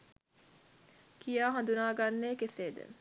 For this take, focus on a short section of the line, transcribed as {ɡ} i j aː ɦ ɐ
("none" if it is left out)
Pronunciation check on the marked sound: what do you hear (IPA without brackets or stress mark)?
k